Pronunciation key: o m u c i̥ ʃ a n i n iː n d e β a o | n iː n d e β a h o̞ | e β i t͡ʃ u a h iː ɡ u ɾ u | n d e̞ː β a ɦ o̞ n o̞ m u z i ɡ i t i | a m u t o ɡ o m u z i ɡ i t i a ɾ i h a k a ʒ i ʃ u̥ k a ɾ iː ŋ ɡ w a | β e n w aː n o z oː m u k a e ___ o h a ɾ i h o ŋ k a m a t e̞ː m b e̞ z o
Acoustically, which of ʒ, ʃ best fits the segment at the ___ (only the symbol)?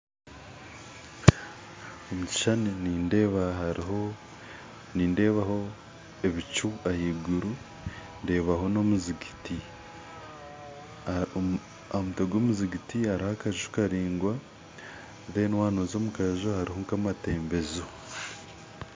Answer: ʒ